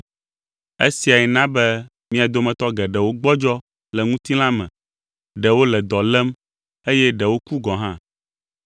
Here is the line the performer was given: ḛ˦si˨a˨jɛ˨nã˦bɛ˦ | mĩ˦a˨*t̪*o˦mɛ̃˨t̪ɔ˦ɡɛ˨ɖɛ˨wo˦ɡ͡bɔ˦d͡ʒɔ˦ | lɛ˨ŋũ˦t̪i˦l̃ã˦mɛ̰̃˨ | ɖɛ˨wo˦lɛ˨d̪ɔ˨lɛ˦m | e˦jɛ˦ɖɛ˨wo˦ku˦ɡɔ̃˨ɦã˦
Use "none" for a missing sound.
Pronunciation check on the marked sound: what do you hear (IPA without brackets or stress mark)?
d̪